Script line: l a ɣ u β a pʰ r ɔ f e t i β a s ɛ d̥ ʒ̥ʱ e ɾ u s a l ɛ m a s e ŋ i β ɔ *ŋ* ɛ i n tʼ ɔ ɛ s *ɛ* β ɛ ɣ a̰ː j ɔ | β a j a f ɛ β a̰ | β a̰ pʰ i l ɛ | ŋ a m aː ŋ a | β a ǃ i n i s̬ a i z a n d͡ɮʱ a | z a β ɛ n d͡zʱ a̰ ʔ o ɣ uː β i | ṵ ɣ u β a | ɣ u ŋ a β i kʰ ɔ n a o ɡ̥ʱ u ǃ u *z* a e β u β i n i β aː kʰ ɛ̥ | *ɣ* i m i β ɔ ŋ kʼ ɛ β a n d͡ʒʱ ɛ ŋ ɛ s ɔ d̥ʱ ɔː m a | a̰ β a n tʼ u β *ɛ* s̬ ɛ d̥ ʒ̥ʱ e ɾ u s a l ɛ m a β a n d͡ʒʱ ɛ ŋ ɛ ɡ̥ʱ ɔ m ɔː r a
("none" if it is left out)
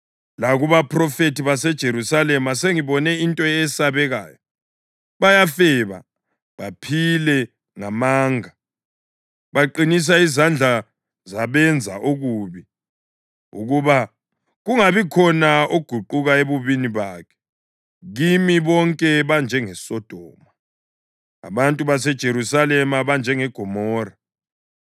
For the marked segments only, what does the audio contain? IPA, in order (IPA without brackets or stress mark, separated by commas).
n, a, ɣ, ɣ, a